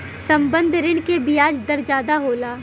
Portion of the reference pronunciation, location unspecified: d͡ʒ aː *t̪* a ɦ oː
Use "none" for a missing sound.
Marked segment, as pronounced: d̪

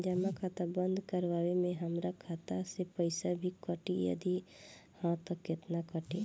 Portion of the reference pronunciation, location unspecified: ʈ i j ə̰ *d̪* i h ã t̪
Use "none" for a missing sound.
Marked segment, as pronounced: d̪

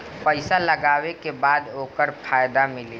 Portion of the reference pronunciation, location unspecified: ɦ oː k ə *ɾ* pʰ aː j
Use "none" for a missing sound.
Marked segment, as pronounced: ɾ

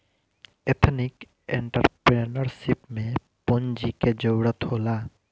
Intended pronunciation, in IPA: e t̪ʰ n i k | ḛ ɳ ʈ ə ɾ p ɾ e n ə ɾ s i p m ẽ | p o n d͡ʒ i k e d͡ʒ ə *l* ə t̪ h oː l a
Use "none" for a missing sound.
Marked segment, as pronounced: ɽ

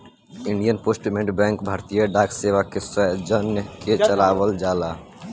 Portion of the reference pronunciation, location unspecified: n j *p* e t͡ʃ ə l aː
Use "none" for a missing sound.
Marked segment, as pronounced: k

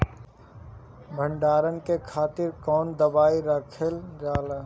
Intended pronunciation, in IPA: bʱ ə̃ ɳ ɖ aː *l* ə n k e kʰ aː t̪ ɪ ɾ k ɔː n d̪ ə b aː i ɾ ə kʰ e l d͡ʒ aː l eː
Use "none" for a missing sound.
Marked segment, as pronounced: ɾ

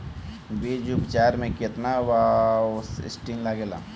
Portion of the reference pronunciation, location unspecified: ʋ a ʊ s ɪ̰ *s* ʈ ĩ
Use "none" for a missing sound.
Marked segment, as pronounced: s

